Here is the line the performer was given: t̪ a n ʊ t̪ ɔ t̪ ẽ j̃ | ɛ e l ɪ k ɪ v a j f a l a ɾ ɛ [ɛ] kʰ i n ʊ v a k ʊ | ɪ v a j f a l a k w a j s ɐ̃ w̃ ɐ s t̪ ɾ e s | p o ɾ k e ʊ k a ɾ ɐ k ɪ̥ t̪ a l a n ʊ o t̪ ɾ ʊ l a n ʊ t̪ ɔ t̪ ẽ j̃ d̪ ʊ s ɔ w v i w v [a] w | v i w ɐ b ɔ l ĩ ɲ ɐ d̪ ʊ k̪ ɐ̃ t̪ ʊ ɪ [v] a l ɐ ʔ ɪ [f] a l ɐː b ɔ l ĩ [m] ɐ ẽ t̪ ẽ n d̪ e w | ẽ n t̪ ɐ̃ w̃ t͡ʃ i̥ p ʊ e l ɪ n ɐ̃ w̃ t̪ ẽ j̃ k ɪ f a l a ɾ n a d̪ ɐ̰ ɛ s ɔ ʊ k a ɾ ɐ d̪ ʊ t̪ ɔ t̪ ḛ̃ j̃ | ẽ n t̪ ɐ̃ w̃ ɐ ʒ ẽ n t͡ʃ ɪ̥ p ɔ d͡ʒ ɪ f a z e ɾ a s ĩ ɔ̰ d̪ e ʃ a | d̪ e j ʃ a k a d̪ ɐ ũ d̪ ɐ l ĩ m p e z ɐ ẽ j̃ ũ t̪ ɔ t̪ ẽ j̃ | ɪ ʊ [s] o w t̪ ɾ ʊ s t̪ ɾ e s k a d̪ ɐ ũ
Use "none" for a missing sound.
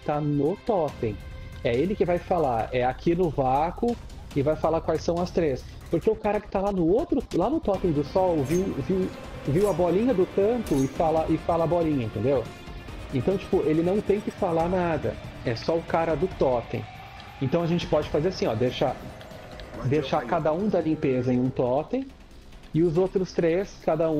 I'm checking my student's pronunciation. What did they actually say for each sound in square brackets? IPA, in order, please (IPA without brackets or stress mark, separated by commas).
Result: a, i, f, f, ɲ, z